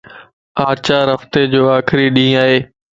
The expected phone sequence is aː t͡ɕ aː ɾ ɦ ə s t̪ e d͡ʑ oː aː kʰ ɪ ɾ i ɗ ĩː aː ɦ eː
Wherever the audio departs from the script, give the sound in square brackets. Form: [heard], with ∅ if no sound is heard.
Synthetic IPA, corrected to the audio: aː t͡ɕ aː ɾ ɦ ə [f] t̪ e d͡ʑ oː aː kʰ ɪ ɾ i ɗ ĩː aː ɦ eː